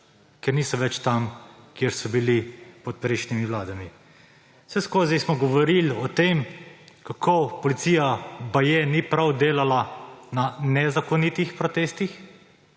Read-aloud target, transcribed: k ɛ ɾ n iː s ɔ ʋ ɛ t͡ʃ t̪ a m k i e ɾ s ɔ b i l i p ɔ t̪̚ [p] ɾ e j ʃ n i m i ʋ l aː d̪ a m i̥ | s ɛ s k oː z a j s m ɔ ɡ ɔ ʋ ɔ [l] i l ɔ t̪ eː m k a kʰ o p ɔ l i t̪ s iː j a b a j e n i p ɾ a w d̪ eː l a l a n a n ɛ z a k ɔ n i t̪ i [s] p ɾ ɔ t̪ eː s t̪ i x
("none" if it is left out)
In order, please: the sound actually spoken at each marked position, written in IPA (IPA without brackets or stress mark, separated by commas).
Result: p, ɾ, x